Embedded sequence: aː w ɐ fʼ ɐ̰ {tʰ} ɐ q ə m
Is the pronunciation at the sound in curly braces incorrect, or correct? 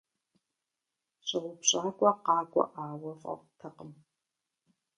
correct